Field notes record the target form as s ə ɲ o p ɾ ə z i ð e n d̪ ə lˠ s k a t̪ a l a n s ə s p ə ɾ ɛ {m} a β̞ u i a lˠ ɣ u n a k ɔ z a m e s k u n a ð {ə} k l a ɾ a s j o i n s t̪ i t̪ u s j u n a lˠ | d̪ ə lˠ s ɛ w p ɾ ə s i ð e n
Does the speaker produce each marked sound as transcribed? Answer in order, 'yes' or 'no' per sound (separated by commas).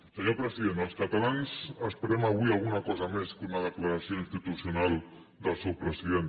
yes, yes